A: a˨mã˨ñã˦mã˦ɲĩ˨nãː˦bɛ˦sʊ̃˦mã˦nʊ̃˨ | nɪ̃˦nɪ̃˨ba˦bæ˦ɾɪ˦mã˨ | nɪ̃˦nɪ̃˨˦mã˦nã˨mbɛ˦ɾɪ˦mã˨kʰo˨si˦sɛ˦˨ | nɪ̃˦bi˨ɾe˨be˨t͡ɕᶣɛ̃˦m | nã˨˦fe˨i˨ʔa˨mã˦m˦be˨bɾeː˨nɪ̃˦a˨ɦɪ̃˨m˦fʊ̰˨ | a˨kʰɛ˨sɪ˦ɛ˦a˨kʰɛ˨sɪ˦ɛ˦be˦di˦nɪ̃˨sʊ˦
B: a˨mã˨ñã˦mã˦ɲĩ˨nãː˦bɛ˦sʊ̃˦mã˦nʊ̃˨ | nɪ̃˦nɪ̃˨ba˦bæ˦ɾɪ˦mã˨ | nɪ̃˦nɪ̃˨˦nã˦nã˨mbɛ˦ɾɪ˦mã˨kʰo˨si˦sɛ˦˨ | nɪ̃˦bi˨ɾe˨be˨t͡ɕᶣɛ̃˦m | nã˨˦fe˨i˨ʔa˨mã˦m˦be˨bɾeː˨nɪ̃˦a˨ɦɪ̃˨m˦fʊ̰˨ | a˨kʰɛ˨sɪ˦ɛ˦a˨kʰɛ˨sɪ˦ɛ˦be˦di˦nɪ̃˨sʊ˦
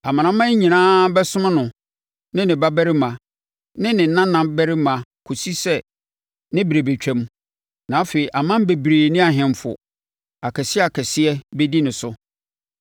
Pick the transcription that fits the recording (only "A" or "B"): B